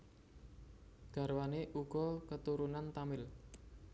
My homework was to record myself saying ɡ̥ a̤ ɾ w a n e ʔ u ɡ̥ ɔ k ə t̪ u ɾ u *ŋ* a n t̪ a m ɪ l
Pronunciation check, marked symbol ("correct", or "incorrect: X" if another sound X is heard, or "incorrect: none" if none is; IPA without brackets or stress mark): incorrect: n